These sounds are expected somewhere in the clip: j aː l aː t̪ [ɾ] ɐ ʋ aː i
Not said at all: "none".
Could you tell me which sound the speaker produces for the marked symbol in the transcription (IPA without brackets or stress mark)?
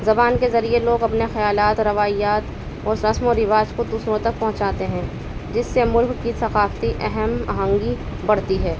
ɾ